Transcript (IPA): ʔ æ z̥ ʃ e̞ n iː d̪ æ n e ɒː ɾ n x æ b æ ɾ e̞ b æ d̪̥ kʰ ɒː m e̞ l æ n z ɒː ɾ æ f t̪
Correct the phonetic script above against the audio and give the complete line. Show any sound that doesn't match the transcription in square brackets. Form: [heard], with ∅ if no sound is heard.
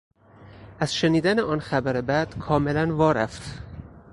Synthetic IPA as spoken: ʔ æ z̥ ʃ e̞ n iː d̪ æ n e ɒː [∅] n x æ b æ ɾ e̞ b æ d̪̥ kʰ ɒː m e̞ l æ n [v] ɒː ɾ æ f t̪